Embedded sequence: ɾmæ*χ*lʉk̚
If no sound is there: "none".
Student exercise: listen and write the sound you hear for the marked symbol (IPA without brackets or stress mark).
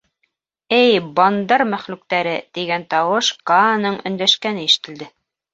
χ